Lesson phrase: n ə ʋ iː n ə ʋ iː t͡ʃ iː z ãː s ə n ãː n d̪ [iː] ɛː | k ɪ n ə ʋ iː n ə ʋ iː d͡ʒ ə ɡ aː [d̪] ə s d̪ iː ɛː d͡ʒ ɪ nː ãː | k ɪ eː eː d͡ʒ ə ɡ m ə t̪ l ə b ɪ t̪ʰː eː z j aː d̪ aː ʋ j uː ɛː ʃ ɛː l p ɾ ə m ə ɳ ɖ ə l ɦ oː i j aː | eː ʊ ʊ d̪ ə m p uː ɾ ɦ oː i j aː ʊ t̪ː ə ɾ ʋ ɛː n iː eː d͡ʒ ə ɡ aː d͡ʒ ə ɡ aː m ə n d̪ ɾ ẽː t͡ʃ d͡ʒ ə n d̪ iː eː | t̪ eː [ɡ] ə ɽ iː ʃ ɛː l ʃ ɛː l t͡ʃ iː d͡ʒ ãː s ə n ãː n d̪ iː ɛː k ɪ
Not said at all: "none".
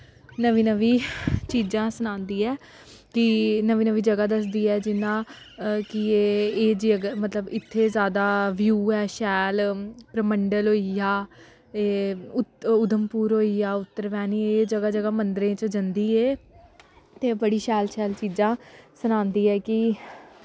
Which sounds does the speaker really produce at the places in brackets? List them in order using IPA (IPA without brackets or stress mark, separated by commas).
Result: iː, d̪, b